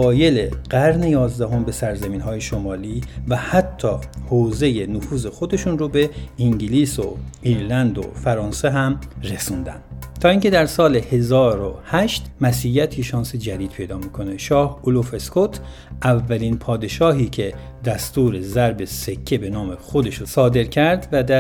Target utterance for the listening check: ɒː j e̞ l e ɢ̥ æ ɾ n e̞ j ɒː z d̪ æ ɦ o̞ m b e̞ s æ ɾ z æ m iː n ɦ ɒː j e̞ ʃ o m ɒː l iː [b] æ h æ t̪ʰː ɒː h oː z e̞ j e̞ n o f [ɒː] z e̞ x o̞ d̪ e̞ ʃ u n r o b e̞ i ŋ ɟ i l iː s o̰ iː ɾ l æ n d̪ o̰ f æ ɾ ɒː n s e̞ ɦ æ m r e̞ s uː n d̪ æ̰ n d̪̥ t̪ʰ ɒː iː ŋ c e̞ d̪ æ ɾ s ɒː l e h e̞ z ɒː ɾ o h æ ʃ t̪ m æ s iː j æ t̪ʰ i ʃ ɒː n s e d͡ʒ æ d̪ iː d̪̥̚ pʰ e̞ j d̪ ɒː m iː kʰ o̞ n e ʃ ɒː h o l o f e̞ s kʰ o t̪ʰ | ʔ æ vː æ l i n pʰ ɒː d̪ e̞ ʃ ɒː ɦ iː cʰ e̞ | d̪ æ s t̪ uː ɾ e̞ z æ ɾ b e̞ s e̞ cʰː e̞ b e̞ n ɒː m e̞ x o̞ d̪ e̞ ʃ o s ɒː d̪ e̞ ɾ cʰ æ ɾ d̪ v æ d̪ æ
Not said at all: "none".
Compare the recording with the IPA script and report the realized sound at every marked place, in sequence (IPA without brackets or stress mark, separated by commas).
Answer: v, uː